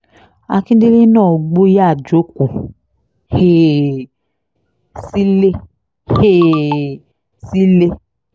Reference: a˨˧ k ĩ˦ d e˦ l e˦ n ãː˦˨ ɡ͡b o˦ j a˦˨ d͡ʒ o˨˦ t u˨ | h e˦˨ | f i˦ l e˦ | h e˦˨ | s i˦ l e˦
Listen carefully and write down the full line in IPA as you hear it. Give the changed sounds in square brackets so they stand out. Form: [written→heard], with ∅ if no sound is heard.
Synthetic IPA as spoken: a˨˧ k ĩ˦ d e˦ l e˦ n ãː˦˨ ɡ͡b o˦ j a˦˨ d͡ʒ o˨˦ [t→k] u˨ | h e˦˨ | [f→s] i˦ l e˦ | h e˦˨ | s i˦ l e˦

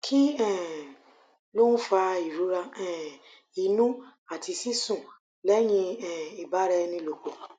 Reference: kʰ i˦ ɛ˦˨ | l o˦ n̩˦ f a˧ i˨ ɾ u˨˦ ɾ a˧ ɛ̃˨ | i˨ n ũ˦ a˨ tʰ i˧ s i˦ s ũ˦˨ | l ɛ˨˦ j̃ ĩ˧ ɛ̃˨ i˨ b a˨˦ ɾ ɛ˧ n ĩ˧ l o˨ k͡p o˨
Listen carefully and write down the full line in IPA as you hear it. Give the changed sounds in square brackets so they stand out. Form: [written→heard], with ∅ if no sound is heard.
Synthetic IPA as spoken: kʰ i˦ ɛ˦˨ | l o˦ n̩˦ f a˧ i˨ ɾ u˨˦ ɾ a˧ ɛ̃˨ | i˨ n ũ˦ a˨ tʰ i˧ s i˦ s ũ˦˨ | l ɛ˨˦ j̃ ĩ˧ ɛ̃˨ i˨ b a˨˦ ɾ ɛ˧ n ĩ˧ l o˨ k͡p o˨

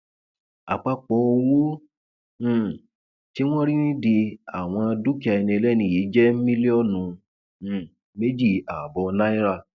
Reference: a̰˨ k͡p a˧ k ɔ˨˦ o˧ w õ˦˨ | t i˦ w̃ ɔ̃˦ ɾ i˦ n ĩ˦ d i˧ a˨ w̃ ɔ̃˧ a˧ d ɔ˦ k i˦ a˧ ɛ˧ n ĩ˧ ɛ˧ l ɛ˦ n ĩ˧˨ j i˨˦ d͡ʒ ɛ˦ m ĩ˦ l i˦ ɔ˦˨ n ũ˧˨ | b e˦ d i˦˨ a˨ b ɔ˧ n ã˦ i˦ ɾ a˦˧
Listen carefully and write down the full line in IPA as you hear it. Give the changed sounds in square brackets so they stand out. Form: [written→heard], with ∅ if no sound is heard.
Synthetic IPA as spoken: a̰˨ k͡p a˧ [k→k͡p] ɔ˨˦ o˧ w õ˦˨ | t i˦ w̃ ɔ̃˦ ɾ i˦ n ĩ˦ d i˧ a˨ w̃ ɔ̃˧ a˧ d [ɔ˦→u˦] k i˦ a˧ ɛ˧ n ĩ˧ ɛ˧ l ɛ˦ n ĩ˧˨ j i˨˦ d͡ʒ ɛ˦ m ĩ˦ l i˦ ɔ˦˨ n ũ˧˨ | [b→m] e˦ [d→d͡ʒ] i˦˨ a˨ b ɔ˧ n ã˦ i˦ ɾ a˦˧

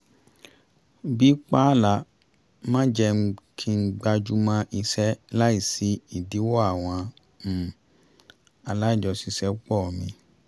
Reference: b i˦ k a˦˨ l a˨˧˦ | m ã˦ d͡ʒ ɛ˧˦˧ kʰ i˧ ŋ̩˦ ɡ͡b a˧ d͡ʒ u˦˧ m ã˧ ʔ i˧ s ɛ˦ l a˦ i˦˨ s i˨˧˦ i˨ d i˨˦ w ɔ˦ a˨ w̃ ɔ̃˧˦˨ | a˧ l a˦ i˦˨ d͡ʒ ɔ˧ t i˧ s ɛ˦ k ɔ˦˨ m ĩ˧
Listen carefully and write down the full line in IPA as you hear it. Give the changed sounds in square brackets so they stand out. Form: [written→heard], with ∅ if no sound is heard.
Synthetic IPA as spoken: b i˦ [k→k͡p] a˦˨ l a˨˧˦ | m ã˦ d͡ʒ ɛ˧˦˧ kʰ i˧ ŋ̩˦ ɡ͡b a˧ d͡ʒ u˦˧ m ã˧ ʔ i˧ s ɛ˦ l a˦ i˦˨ s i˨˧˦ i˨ d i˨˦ w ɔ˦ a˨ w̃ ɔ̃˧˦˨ | a˧ l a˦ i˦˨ d͡ʒ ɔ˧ [t→s] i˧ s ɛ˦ [k→k͡p] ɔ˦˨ m ĩ˧

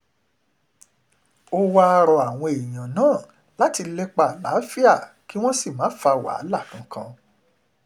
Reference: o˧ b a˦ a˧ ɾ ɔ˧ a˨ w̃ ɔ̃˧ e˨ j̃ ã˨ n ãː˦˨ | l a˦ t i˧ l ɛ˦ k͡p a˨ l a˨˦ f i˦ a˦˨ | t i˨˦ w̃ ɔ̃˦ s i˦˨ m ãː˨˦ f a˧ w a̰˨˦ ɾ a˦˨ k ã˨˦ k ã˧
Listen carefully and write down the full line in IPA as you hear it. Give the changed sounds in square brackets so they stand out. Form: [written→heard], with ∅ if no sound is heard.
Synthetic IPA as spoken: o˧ [b→w] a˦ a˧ ɾ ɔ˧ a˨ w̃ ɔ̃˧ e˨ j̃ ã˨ n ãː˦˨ | l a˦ t i˧ l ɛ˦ k͡p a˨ l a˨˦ f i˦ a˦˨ | [t→k] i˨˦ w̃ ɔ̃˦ s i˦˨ m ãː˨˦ f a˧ w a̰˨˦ [ɾ→l] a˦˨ k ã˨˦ k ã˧

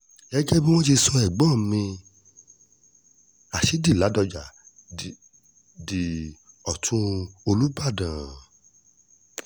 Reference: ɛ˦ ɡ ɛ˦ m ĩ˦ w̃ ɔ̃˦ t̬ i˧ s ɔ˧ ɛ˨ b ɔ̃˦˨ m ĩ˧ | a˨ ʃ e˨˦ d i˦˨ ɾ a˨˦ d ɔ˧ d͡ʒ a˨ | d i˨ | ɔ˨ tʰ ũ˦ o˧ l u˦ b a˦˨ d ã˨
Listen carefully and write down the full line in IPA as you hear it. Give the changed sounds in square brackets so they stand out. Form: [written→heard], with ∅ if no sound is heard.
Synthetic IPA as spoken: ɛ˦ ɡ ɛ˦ [m→b] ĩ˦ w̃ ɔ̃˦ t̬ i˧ s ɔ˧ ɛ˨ [b→ɡ͡b] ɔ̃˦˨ m ĩ˧ | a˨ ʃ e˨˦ d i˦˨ [ɾ→l] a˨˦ d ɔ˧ d͡ʒ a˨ | d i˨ | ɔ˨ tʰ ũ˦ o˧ l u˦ b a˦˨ d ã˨

